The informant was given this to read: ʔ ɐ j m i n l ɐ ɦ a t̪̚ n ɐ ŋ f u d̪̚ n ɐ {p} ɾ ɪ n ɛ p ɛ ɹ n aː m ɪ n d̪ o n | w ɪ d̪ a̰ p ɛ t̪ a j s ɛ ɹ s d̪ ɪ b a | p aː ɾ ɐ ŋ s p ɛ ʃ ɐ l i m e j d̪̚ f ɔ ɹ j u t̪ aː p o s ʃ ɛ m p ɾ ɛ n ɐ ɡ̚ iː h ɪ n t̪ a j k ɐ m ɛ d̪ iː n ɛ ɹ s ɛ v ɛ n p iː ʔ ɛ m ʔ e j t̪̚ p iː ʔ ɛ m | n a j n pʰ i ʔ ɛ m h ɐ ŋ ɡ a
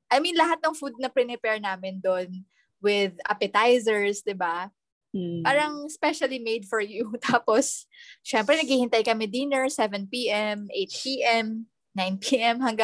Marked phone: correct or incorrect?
correct